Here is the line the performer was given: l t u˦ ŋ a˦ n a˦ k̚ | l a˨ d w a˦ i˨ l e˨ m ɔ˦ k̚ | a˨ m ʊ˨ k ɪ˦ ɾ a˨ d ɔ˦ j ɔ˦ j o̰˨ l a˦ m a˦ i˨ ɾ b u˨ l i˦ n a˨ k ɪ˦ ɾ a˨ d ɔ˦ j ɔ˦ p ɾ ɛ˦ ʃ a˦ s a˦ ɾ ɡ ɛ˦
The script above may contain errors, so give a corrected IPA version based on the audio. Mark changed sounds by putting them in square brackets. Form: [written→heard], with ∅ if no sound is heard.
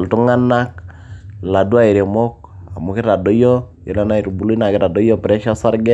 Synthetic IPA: l t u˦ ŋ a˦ n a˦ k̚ | l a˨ d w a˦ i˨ [l→ɾ] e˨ m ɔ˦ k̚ | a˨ m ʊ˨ k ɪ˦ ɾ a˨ d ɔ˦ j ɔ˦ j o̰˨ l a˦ [m→n] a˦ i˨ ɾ b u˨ l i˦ n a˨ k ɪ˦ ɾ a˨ d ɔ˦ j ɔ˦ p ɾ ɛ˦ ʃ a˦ s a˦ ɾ ɡ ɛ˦